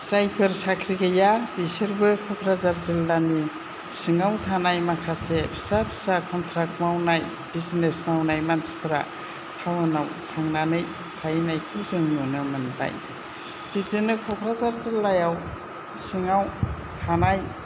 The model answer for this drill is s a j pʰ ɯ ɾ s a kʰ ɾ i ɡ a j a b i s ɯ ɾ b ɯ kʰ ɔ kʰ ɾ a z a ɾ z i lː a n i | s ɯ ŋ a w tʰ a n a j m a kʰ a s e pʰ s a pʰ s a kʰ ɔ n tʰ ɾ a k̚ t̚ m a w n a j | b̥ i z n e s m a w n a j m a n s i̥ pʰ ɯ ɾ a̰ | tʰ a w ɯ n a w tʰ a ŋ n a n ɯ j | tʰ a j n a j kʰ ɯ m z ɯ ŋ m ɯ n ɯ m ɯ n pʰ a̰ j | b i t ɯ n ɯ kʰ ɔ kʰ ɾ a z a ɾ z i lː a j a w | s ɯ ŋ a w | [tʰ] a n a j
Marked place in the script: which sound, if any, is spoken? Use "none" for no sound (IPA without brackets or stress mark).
tʰ